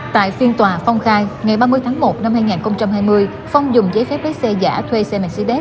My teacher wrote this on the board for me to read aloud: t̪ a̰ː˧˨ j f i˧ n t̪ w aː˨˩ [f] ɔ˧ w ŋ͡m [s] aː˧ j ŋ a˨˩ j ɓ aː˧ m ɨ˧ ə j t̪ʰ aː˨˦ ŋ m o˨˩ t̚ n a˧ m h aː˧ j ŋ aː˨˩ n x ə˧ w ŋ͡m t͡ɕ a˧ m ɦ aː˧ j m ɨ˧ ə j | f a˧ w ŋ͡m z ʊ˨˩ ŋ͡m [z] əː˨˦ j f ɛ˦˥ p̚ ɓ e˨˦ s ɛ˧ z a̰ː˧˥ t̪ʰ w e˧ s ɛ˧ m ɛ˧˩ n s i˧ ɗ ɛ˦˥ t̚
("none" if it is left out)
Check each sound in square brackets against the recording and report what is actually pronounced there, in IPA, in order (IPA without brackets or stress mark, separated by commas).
f, x, z